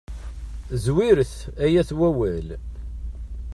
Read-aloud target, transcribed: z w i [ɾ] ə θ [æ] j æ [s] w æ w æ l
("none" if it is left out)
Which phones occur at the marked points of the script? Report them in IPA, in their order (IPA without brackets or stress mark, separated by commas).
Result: ɾ, æ, θ